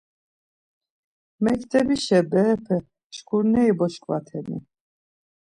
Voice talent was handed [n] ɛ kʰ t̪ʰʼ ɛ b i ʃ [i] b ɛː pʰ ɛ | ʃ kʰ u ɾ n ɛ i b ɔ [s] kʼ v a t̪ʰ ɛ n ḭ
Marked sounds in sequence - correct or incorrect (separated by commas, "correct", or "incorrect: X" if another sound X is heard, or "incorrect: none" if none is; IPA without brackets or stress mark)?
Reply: incorrect: m, incorrect: ɛ, incorrect: ʃ